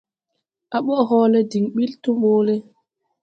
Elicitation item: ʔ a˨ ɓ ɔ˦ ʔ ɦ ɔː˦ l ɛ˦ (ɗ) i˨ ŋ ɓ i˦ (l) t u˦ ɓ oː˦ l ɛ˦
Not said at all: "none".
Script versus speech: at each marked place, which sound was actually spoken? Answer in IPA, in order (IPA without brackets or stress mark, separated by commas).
d, l